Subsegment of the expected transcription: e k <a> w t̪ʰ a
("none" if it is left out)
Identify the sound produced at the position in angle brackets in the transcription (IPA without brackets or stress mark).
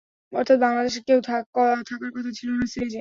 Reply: e